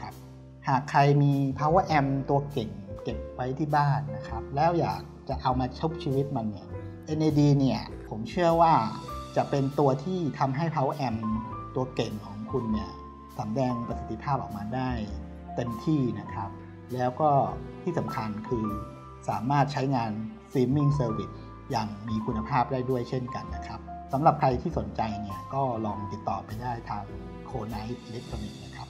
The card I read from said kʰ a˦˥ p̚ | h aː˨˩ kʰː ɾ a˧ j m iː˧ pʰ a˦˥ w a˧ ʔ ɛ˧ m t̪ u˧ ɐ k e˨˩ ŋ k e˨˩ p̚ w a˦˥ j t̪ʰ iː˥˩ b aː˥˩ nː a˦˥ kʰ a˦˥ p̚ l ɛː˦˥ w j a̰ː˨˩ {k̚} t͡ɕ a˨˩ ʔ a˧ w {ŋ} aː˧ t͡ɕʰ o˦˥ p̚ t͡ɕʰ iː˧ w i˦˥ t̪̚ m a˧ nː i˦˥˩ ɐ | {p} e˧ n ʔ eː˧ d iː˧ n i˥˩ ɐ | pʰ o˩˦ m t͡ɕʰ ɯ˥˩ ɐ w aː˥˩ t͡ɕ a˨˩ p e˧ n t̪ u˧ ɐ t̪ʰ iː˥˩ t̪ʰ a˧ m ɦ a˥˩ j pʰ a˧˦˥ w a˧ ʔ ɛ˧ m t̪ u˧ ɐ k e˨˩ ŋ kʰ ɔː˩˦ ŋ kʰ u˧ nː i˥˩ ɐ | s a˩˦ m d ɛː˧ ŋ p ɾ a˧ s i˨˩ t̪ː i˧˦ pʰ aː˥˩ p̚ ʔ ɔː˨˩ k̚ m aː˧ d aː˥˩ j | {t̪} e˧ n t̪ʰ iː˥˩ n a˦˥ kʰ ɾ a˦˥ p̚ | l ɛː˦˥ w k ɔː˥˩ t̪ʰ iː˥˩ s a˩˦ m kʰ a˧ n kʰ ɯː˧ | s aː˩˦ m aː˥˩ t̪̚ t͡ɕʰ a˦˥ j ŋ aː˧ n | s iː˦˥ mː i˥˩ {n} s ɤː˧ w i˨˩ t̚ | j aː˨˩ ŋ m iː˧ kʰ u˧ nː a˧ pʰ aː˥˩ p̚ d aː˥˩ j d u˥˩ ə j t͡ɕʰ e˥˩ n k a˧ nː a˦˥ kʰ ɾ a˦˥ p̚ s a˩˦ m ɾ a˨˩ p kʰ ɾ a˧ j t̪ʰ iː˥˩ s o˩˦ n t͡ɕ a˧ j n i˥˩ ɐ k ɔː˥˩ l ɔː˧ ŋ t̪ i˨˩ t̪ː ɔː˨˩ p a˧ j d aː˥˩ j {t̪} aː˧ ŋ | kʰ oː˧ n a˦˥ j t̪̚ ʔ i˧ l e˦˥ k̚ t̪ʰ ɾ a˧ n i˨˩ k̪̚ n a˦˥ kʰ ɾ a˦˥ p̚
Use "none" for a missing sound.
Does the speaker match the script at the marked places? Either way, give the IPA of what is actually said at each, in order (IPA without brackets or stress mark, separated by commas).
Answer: k̚, m, ʔ, t̪, ŋ, t̪ʰ